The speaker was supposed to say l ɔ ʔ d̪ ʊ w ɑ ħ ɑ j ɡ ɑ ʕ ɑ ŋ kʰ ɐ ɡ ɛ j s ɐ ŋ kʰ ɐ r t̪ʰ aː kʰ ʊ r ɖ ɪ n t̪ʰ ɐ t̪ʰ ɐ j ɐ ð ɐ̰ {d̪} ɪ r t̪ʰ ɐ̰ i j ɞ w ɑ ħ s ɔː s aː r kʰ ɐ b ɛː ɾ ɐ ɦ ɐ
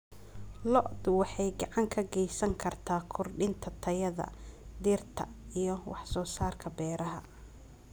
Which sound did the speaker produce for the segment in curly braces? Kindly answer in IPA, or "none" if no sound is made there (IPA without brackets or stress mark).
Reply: d̪